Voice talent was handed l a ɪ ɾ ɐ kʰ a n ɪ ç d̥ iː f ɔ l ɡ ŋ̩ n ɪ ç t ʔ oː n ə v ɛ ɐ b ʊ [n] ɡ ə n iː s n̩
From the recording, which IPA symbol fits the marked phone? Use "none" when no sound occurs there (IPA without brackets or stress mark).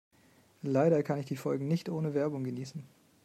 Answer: ŋ